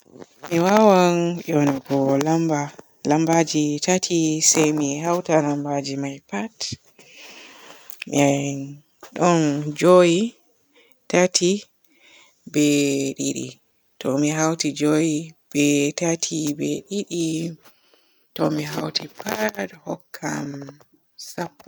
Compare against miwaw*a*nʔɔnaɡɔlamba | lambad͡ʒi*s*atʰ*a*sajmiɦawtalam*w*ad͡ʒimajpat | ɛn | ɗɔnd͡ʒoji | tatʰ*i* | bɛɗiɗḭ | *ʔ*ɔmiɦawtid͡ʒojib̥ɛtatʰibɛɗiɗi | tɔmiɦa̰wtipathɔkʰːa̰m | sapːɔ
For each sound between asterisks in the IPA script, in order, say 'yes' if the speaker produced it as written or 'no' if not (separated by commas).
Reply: yes, no, no, no, yes, no